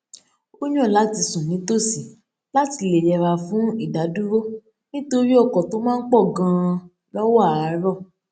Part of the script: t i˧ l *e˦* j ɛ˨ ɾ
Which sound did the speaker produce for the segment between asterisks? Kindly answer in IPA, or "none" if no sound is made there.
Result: e˨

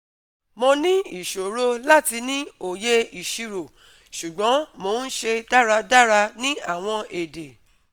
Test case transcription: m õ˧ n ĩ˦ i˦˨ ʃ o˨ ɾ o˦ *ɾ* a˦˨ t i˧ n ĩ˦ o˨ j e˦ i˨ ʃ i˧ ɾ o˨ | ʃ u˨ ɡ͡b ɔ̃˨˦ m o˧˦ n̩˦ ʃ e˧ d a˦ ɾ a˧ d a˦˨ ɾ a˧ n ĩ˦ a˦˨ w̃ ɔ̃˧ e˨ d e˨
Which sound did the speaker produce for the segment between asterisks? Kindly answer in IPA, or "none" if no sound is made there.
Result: l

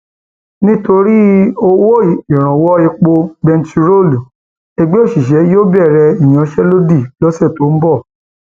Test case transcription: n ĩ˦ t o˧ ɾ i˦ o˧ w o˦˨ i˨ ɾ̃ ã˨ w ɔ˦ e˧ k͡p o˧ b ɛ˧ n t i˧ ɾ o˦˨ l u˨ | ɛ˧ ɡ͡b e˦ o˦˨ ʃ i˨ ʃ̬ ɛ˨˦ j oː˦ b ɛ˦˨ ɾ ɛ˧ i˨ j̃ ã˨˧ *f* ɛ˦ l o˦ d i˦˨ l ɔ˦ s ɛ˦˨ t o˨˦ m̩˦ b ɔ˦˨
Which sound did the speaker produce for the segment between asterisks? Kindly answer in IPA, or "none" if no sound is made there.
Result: ʃ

